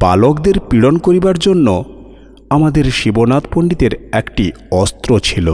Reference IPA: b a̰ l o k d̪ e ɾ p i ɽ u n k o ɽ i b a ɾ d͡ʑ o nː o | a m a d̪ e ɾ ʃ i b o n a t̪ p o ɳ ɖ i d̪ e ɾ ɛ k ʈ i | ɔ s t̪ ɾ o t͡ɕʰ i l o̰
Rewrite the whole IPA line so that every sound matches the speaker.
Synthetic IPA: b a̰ l o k d̪ e ɾ p i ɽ o n k o ɾ i b a ɾ d͡ʑ o nː o | a m a d̪ e ɾ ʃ i b o n a t̪ p o ɳ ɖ i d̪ e ɾ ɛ k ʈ i | ɔ s t̪ ɾ o t͡ɕʰ i l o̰